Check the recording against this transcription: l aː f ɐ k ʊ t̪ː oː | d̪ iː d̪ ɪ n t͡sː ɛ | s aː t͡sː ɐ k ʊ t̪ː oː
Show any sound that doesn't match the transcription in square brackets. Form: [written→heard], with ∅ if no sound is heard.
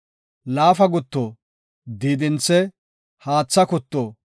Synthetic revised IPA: l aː f ɐ [k→ɡ] ʊ t̪ː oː | d̪ iː d̪ ɪ n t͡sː ɛ | [s→h] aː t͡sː ɐ k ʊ t̪ː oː